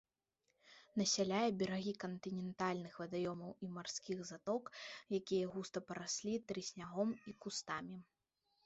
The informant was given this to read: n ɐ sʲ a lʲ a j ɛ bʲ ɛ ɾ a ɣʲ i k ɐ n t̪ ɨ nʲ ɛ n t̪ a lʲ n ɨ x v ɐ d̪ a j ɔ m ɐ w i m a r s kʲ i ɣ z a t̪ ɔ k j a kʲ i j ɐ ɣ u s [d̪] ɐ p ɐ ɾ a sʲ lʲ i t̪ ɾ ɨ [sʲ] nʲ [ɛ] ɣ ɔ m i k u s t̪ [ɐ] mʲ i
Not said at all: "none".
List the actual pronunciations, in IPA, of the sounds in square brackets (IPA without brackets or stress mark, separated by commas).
t̪, sʲ, a, a